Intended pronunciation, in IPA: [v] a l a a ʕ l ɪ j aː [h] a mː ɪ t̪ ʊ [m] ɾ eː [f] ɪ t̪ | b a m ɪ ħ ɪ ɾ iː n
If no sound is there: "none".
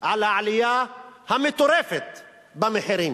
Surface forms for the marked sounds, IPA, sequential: ʕ, h, none, f

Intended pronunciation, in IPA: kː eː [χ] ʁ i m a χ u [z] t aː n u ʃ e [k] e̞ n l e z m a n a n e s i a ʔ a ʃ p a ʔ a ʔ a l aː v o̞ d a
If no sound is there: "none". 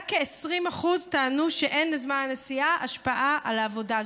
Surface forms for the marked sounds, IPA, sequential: s, z, ʔ

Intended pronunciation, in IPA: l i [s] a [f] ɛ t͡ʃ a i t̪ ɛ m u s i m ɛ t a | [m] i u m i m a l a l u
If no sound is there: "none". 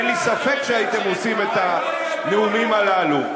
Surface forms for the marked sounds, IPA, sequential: s, f, n

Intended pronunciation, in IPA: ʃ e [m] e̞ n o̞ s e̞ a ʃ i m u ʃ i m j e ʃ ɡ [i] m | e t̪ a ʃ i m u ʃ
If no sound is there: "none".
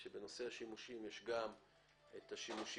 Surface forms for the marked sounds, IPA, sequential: b, a

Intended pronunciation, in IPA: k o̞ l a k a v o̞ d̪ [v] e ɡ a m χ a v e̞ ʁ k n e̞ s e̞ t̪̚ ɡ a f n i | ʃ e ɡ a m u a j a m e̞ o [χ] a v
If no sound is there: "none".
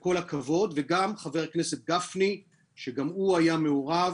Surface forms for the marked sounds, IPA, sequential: v, ʁ

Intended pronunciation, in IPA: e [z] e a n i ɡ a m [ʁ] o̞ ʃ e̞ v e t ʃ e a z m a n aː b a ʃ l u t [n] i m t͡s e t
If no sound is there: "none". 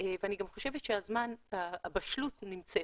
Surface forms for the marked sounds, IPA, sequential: v, χ, n

